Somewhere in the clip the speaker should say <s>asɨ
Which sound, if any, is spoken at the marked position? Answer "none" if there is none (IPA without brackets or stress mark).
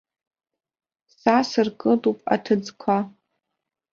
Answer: s